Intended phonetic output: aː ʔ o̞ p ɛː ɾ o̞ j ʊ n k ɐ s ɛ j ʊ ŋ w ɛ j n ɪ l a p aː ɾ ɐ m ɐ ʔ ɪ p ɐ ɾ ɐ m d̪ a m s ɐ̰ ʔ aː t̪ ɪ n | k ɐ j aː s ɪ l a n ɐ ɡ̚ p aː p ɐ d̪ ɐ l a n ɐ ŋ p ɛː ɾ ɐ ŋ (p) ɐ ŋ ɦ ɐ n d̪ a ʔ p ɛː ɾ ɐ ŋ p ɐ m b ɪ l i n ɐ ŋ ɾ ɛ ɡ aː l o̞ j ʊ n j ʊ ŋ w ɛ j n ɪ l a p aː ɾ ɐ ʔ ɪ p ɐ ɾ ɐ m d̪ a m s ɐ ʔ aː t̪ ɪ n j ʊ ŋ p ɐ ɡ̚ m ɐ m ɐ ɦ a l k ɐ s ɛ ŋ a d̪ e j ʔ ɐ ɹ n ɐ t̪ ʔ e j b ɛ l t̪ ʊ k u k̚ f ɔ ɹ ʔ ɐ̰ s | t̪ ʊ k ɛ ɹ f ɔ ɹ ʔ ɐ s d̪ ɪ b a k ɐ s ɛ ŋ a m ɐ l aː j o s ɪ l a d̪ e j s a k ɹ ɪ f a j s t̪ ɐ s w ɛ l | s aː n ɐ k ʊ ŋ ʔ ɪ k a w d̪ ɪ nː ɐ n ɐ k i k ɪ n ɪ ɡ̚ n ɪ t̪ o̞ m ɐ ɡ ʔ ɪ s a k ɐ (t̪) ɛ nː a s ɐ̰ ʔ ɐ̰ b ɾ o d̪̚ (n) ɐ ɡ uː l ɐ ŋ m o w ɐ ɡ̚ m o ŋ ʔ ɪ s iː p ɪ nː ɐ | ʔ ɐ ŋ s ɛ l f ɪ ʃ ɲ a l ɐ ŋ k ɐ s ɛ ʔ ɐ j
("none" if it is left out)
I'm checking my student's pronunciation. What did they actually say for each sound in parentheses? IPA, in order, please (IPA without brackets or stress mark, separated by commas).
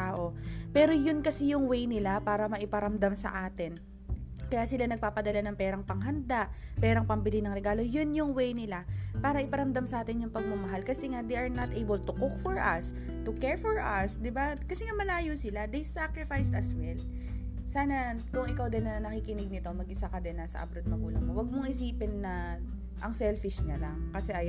p, d̪, m